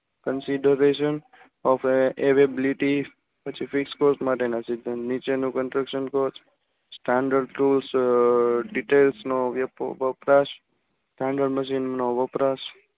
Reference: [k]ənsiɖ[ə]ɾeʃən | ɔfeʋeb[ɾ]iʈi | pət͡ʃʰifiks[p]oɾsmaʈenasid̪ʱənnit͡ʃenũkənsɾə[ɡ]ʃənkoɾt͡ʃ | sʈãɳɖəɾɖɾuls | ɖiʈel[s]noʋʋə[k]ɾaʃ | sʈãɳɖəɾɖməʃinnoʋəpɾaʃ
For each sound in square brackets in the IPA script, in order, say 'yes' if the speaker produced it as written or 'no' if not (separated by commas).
yes, yes, no, no, no, yes, no